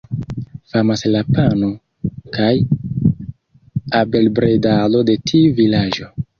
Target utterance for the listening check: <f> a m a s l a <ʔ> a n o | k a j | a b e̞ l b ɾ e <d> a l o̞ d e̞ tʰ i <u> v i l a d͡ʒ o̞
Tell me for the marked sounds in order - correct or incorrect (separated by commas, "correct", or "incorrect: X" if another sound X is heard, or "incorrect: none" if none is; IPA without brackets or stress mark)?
correct, incorrect: p, correct, correct